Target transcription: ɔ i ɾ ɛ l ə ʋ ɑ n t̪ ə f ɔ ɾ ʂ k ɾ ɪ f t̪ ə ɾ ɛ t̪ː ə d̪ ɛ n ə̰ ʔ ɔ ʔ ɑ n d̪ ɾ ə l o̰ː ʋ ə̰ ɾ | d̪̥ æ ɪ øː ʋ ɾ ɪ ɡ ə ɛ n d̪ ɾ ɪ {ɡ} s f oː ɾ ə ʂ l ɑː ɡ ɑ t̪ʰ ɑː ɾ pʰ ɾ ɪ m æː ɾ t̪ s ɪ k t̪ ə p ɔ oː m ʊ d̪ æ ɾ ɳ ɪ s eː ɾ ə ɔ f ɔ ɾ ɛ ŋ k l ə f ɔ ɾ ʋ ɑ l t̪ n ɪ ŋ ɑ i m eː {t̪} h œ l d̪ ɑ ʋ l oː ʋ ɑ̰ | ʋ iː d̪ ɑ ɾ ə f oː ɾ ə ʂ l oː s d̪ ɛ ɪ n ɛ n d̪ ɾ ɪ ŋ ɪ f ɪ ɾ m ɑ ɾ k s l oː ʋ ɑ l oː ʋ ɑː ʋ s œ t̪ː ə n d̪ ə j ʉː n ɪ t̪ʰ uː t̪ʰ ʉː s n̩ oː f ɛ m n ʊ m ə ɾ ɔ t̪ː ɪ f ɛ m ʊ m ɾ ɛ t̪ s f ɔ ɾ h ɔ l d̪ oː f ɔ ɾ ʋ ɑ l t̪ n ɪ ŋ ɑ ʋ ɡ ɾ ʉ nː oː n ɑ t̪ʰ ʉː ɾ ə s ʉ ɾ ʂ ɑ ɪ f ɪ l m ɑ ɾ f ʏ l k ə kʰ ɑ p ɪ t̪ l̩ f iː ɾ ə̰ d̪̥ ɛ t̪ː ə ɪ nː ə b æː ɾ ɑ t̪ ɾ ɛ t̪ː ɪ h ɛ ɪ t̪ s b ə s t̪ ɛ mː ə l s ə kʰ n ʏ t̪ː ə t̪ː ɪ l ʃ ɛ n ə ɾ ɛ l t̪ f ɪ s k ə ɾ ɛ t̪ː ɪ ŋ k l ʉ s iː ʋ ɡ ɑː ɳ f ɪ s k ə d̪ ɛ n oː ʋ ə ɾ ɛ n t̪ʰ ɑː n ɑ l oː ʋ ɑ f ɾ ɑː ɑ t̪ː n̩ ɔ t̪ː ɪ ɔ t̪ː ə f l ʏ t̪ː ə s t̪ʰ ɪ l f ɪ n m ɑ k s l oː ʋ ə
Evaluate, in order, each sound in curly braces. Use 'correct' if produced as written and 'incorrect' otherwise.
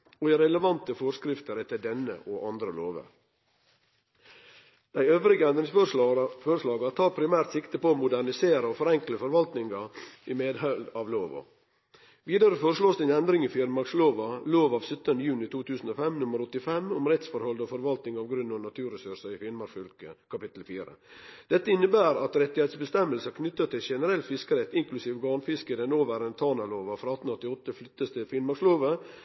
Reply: incorrect, incorrect

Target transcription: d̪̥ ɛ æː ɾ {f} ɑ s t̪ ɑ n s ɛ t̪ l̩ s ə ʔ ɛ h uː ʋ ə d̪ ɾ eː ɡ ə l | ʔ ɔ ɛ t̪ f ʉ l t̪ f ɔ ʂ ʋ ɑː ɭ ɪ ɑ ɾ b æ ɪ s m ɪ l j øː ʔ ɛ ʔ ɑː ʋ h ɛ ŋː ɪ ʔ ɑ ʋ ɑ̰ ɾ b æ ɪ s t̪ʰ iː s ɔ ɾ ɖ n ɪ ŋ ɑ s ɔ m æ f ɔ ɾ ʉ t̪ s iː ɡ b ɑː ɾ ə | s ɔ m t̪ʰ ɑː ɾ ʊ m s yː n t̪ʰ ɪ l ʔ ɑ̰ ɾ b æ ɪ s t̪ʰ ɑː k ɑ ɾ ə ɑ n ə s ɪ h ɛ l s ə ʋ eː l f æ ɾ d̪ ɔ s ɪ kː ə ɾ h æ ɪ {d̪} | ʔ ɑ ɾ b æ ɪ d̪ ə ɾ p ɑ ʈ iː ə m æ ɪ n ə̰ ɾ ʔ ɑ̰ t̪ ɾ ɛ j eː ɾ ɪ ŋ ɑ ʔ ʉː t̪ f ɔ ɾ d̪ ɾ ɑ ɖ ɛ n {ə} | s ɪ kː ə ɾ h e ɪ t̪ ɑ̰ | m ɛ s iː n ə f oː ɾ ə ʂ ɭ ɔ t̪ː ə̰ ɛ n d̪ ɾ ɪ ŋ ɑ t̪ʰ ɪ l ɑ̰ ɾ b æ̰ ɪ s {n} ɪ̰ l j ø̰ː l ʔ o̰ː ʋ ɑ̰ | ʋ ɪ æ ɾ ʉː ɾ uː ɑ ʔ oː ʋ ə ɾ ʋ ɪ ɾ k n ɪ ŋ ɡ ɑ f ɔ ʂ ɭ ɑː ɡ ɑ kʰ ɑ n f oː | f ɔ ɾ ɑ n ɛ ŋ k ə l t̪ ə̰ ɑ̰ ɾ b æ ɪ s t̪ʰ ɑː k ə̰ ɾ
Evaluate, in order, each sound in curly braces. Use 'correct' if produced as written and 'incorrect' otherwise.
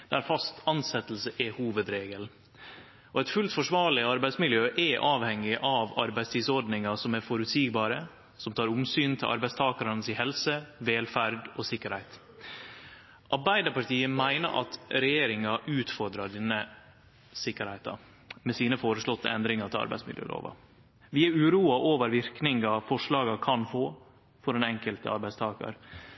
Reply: correct, incorrect, correct, incorrect

